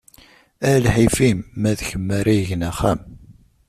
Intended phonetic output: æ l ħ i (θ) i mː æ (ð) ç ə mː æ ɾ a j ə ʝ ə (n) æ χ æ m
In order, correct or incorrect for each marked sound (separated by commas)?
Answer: incorrect, correct, correct